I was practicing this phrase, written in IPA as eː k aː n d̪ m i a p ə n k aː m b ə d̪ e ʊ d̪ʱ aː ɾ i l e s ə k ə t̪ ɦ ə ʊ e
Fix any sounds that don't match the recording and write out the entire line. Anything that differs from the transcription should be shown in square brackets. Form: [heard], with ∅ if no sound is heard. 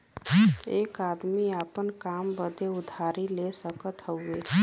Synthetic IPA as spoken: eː k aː [∅] d̪ m i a p ə n k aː m b ə d̪ e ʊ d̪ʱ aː ɾ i l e s ə k ə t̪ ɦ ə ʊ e